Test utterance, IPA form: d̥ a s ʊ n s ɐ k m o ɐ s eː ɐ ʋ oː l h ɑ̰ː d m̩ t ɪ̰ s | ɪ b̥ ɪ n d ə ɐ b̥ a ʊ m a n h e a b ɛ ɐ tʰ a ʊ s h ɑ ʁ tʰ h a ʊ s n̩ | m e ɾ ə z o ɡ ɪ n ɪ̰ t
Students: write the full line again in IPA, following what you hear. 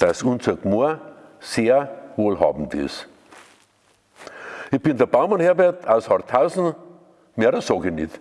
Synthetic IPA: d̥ a s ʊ n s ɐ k m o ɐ s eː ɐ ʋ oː l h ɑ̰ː b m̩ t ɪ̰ s | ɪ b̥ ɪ n d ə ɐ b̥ a ʊ m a n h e ɐ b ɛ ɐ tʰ a ʊ s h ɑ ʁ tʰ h a ʊ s n̩ | m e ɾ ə s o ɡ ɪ n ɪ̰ t

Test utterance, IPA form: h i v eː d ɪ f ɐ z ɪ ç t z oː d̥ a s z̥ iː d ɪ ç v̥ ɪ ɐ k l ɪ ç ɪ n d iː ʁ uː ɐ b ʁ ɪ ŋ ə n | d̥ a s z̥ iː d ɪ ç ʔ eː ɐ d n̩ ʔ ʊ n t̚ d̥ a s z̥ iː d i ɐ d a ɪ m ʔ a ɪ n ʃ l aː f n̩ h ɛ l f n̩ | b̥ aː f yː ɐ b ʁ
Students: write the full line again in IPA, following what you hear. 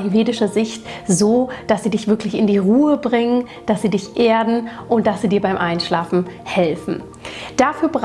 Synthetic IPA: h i v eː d ɪ ʃ ɐ z ɪ ç t z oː d̥ a s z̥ iː d ɪ ç v̥ ɪ ɐ k l ɪ ç ɪ n d iː ʁ uː ə b ʁ ɪ ŋ ə n | d̥ a s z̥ iː d ɪ ç ʔ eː ɐ d n̩ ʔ ʊ n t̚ d̥ a s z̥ iː d iː ɐ b a ɪ m ʔ a ɪ n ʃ l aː f n̩ h ɛ l f n̩ | d̥ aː f yː ɐ b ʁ

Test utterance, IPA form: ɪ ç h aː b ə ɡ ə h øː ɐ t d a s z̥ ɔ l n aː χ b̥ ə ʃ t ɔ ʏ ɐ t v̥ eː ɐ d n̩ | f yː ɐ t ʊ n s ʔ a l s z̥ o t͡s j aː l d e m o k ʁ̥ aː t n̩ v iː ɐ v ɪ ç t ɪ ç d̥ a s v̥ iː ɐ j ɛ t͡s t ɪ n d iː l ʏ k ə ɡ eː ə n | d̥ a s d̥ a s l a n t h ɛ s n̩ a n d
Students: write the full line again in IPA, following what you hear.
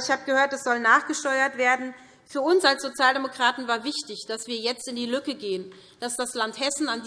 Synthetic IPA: ɪ ç h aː b ə ɡ ə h øː ɐ t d a s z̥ ɔ l n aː χ ɡ̥ ə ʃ t ɔ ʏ ɐ t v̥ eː ɐ d n̩ | f yː ɐ ʊ n s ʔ a l s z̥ o t͡s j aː l d e m o k ʁ̥ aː t n̩ v aː ɐ v ɪ ç t ɪ ç d̥ a s v̥ iː ɐ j ɛ t͡s t ɪ n d iː l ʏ k ə ɡ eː ə n | d̥ a s d̥ a s l a n t h ɛ s n̩ a n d

